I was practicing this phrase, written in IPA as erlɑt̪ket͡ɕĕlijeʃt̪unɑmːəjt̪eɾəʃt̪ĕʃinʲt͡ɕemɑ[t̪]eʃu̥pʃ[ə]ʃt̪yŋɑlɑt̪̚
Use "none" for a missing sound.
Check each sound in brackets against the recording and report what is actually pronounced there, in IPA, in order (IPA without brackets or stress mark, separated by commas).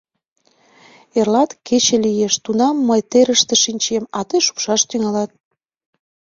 t̪, ɑ